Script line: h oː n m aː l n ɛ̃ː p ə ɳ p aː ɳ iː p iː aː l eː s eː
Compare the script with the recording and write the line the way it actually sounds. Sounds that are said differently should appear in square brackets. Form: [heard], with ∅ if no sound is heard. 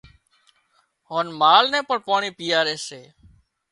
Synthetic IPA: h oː n m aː l n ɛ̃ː p ə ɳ p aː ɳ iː p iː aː [ɾ] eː s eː